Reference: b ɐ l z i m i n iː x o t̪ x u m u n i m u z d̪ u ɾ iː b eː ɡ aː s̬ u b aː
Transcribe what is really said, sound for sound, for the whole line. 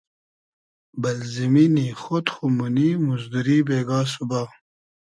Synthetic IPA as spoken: b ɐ l z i m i n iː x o t̪ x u m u n i m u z d̪ u ɾ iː b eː ɡ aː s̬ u b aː